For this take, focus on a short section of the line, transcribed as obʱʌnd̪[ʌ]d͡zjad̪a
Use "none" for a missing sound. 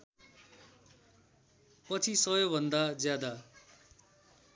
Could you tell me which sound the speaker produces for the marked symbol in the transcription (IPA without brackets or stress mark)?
a